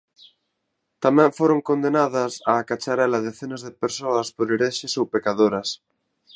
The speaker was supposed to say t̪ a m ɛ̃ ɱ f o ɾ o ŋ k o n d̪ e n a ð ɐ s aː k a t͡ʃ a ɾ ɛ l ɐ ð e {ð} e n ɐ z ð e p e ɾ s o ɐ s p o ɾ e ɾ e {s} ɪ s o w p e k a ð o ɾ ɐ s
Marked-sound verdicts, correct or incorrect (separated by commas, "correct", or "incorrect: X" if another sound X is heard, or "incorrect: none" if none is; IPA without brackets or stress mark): incorrect: θ, incorrect: ʃ